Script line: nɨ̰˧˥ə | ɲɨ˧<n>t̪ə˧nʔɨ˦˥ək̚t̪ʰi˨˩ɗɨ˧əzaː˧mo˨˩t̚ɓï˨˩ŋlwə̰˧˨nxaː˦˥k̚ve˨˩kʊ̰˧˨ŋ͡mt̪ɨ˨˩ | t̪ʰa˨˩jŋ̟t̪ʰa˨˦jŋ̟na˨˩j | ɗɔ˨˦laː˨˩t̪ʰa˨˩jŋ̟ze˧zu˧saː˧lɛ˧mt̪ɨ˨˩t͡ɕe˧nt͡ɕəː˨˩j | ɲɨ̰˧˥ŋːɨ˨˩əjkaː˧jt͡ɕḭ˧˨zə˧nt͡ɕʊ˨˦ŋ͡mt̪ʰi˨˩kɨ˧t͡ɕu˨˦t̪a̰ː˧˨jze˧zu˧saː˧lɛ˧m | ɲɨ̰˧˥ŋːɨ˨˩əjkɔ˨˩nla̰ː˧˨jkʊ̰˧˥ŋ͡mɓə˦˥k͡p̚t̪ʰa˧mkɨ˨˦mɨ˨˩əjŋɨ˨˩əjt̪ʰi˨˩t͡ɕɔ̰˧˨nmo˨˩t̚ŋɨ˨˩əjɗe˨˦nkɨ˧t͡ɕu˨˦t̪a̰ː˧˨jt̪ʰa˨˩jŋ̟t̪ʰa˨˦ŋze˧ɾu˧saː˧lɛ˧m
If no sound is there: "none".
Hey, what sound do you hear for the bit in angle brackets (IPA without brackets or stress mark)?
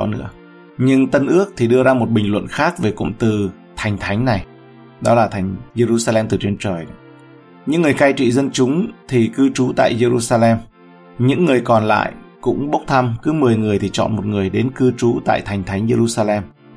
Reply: ŋ